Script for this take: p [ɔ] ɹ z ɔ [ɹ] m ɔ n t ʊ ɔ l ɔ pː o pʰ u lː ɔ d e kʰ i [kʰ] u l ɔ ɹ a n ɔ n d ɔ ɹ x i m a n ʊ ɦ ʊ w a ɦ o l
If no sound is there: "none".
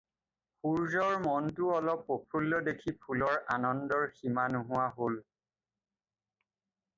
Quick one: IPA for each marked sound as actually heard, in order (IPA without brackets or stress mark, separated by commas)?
u, ɹ, pʰ